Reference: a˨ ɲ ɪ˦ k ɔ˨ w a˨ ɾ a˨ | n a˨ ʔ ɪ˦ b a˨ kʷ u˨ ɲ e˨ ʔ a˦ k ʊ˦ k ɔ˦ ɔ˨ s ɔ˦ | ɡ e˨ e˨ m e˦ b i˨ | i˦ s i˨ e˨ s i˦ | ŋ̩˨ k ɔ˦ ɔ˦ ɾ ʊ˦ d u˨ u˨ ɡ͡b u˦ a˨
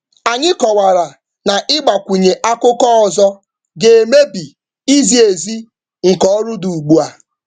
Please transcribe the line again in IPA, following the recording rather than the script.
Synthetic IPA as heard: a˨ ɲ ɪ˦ k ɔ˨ w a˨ ɾ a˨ | n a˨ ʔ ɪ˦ ɡ͡b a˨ kʷ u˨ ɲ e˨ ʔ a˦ k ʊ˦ k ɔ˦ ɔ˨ z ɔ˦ | ɡ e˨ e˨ m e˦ b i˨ | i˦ z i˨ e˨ z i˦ | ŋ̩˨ k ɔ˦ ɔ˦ ɾ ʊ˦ d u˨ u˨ ɡ͡b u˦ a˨